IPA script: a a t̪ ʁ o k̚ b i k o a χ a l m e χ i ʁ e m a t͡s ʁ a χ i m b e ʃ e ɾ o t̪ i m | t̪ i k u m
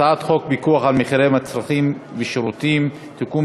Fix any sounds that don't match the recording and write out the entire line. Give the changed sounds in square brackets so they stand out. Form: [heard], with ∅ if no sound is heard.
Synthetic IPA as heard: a a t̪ [χ] o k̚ b i k [u] a χ a l m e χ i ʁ e m a t͡s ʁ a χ i m [v] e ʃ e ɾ [u] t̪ i m | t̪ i k u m